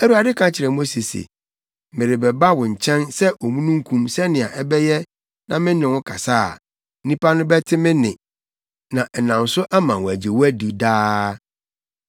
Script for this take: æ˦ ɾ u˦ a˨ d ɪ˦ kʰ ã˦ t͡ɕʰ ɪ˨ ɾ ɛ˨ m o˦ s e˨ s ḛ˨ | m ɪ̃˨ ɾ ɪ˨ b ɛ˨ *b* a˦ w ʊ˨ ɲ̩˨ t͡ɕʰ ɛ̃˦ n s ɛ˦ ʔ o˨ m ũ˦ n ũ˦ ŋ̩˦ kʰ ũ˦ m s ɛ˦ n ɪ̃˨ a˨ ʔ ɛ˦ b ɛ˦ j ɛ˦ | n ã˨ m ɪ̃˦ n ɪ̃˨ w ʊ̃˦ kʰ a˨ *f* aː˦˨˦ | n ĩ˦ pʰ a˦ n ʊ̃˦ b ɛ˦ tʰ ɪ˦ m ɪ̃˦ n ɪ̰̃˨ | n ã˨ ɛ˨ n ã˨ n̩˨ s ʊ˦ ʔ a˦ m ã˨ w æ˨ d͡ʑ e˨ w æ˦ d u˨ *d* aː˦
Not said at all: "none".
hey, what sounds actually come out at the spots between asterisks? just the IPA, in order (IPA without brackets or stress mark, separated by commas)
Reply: b, s, d